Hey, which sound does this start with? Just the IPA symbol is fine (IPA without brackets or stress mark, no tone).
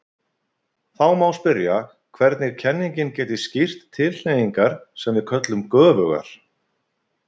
θ